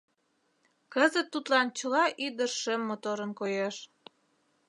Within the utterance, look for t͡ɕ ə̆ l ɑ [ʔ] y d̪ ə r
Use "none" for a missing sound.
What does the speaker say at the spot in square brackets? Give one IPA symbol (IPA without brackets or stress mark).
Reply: ʔ